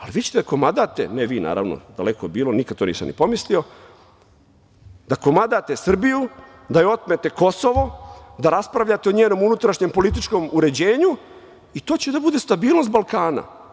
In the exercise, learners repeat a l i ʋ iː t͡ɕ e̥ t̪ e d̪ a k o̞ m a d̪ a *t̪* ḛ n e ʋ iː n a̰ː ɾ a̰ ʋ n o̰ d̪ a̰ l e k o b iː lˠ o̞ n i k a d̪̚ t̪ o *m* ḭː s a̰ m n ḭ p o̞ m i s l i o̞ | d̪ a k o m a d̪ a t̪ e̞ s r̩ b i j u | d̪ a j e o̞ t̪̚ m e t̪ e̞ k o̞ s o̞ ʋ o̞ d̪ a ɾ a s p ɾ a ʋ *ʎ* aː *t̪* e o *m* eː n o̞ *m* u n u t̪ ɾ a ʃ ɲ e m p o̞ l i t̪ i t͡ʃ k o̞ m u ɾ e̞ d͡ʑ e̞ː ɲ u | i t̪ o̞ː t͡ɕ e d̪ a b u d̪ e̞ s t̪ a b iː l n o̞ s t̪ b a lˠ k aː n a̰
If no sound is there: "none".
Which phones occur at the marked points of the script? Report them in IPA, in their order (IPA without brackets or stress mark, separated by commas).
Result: t̪, n, ʎ, t̪, ɲ, m